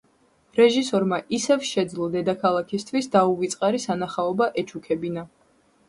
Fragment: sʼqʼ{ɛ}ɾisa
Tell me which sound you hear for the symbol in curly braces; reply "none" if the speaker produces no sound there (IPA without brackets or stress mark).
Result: a